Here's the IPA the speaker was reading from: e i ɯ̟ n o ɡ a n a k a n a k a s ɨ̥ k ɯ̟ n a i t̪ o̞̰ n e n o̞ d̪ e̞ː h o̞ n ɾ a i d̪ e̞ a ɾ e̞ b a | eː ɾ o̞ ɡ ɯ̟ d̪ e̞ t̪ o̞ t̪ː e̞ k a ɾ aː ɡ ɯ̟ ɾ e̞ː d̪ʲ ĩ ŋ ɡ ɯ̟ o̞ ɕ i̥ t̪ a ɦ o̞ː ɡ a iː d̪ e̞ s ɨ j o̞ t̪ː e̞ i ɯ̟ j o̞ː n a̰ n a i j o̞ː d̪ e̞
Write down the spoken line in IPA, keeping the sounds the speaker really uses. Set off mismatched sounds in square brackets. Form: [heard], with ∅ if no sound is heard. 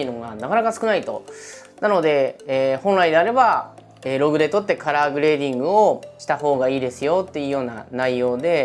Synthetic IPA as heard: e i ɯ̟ n o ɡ a n a k a n a k a s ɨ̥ k ɯ̟ n a i t̪ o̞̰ n [a] n o̞ d̪ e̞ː h [õ̞] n ɾ a i d̪ e̞ a ɾ e̞ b a | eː ɾ o̞ ɡ ɯ̟ d̪ e̞ t̪ o̞ t̪ː e̞ k a ɾ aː ɡ ɯ̟ ɾ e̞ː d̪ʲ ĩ ŋ ɡ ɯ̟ o̞ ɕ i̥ t̪ a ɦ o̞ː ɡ a iː d̪ e̞ s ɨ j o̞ t̪ː e̞ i ɯ̟ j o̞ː n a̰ n a i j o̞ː d̪ e̞